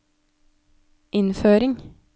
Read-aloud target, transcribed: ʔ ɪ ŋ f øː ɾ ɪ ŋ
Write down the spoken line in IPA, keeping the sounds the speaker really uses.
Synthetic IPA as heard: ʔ ɪ n f øː ɾ ɪ ŋ